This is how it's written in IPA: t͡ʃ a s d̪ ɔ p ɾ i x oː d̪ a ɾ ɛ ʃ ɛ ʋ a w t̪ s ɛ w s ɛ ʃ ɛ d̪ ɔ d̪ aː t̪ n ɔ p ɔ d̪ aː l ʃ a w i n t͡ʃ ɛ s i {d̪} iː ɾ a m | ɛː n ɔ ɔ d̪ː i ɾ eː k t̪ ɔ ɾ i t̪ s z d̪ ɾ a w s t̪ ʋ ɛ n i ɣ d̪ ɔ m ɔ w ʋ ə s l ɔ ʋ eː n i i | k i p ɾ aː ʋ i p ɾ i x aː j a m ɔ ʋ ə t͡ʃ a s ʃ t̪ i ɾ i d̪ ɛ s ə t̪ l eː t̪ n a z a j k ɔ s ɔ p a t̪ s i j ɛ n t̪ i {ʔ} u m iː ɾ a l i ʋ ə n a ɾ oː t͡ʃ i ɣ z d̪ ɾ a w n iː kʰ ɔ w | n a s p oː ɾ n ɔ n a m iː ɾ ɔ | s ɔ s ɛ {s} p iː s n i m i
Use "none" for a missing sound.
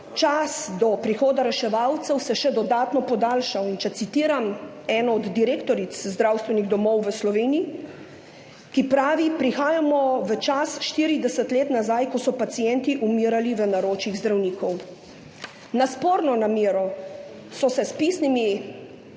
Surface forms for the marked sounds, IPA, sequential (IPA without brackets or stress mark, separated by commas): t̪, ʔ, s